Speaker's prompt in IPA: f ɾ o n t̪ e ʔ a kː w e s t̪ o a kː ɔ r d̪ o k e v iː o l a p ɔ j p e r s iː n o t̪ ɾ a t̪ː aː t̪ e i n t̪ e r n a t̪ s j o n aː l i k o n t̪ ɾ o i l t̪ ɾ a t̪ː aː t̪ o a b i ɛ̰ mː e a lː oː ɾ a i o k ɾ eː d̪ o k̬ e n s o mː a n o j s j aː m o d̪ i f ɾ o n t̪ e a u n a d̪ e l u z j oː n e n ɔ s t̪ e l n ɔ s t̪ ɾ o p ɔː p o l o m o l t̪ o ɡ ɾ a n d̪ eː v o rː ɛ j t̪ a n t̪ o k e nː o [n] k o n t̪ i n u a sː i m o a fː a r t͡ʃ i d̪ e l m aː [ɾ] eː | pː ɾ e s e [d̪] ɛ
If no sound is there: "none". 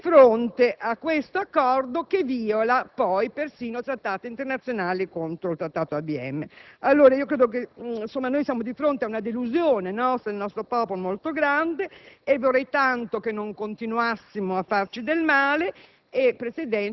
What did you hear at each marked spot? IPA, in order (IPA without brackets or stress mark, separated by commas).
ŋ, l, d̪